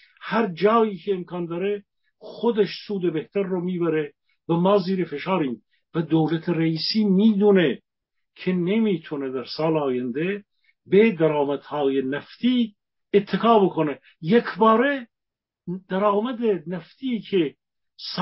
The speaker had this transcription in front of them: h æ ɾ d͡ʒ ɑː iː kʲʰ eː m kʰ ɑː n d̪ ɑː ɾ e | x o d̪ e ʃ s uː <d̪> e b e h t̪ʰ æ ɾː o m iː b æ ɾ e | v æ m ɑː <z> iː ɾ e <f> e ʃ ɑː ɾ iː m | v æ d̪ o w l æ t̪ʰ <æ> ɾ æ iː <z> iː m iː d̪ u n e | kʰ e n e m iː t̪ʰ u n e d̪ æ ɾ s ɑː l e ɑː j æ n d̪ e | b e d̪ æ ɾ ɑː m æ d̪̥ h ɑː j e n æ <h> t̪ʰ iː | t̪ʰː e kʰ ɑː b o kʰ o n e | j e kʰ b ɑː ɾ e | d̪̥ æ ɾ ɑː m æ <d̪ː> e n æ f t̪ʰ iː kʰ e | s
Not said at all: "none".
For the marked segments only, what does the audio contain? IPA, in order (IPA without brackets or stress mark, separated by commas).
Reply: d̪, z, f, e, s, f, d̪